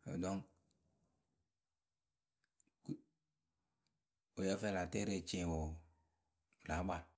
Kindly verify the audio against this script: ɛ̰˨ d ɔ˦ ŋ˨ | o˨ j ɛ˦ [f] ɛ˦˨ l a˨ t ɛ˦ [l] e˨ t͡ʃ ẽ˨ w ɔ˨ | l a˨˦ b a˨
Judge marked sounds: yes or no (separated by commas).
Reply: yes, no